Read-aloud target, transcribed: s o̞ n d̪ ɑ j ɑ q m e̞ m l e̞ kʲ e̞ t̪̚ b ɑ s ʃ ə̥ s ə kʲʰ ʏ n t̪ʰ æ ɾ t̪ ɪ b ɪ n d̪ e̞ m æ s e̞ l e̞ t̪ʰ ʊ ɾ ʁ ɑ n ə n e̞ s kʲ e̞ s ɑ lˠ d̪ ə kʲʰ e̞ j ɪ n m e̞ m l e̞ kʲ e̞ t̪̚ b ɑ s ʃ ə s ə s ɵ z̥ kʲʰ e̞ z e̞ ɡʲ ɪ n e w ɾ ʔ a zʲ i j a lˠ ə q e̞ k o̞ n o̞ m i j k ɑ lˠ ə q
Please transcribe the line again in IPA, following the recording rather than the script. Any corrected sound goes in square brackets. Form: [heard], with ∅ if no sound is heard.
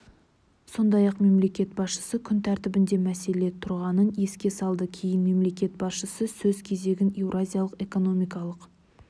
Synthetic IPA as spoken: s o̞ n d̪ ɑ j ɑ q m e̞ m l e̞ kʲ e̞ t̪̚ b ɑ s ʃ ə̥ s ə kʲʰ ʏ n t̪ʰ æ ɾ t̪ ɪ b ɪ n d̪ e̞ m æ s e̞ l e̞ t̪ʰ ʊ ɾ ʁ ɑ n ə n e̞ s kʲ e̞ s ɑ lˠ d̪ ə kʲʰ e̞ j ɪ n m e̞ m l e̞ kʲ e̞ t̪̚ b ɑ s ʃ ə s ə s ɵ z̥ kʲʰ e̞ z e̞ ɡʲ ɪ n e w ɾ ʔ a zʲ i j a lˠ ə q e̞ k o̞ n o̞ m i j k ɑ lˠ ə q